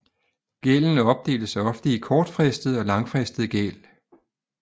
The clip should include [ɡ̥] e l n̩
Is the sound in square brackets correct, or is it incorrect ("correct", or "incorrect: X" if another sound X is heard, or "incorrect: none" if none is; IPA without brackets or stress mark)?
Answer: correct